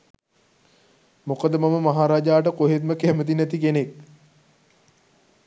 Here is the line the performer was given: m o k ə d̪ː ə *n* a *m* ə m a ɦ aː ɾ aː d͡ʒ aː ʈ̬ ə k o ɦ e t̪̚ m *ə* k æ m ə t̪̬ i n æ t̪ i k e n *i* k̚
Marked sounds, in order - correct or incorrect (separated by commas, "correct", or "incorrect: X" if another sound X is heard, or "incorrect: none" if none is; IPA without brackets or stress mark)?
incorrect: m, correct, correct, incorrect: e